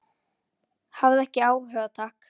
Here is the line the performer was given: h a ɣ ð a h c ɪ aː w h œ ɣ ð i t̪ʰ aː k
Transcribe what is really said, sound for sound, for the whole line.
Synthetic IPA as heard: h a v ð ɛ h c ɪ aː w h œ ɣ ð a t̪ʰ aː k